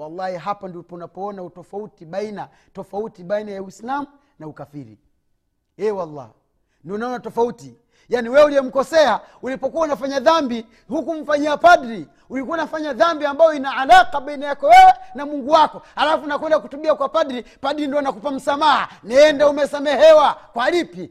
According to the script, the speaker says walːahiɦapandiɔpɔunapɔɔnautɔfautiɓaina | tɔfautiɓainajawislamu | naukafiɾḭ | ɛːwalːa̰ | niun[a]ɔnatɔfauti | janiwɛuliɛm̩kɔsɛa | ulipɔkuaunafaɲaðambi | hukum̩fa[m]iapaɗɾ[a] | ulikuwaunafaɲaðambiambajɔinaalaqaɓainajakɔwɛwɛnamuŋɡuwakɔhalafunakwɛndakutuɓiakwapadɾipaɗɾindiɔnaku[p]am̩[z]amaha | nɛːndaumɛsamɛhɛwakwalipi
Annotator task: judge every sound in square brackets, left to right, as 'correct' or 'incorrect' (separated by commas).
correct, incorrect, incorrect, correct, incorrect